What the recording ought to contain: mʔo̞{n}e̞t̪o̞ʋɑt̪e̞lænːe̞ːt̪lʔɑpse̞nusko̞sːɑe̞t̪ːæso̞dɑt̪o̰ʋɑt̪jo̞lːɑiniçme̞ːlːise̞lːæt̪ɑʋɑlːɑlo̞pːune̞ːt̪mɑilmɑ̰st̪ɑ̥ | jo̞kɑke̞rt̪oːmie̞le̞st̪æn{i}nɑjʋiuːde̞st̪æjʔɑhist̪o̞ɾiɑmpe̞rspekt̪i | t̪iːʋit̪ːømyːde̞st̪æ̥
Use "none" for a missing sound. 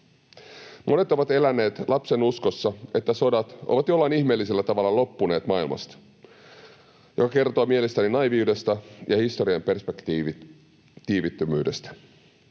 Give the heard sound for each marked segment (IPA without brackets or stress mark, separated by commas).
n, i